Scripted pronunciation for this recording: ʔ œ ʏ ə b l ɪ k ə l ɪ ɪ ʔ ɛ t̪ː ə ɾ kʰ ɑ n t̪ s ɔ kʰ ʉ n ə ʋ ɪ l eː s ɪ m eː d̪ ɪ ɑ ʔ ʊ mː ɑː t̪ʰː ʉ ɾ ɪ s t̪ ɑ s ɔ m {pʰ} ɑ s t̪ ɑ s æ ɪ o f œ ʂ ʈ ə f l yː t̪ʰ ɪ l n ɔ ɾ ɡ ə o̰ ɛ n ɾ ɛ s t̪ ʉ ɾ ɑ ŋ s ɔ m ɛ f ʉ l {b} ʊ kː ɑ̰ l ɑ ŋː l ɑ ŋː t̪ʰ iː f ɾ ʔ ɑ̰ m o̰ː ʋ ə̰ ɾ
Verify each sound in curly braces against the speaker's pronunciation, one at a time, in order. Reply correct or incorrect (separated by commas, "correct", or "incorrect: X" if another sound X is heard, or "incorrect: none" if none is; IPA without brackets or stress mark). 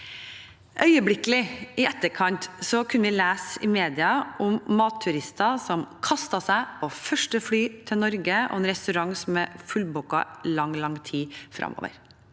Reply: incorrect: kʰ, correct